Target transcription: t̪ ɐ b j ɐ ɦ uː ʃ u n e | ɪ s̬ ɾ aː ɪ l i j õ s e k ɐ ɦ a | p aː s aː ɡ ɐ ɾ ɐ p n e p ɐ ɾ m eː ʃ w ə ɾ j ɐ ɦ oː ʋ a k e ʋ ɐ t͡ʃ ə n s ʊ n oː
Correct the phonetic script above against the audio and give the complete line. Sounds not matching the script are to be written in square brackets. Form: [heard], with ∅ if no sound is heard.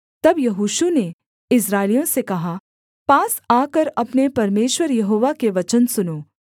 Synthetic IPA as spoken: t̪ ɐ b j ɐ ɦ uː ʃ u n e | ɪ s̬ ɾ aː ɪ l i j õ s e k ɐ ɦ a | p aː s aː [k] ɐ ɾ ɐ p n e p ɐ ɾ m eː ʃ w ə ɾ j ɐ ɦ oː ʋ a k e ʋ ɐ t͡ʃ ə n s ʊ n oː

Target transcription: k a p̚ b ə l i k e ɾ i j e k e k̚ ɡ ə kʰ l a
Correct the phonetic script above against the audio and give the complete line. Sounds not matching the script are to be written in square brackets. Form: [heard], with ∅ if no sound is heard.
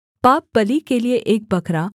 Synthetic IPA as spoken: [p] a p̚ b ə l i k e [l] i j e [ʔ] e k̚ [b] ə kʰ [ɾ] a

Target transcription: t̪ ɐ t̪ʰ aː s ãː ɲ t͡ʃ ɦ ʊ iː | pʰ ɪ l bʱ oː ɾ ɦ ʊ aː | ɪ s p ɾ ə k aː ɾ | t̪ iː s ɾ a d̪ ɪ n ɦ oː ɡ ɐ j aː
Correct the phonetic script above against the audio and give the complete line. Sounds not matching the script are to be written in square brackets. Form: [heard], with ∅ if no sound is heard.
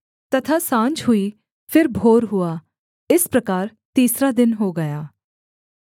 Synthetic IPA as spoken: t̪ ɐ t̪ʰ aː s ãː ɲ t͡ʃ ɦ ʊ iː | pʰ ɪ [ɾ] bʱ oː ɾ ɦ ʊ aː | ɪ s p ɾ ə k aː ɾ | t̪ iː s ɾ a d̪ ɪ n ɦ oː ɡ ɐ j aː

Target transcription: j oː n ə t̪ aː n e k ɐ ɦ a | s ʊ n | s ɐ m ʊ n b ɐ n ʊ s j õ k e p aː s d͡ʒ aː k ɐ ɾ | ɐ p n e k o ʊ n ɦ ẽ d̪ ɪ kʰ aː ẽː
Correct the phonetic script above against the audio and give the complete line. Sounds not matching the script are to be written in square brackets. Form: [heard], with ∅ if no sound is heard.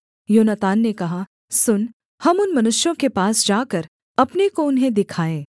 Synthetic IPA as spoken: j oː n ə t̪ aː [nː] e k ɐ ɦ a | s ʊ n | [h] ɐ m ʊ n [m] ɐ n ʊ [ʃ] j õ k e p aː s d͡ʒ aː k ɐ ɾ | ɐ p n e k o ʊ n ɦ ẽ d̪ ɪ kʰ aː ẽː

